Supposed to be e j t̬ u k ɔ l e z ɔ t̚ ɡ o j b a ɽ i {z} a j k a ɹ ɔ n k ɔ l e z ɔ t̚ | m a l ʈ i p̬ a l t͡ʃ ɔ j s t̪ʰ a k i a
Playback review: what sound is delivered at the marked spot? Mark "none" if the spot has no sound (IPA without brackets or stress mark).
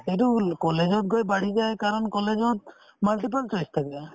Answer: z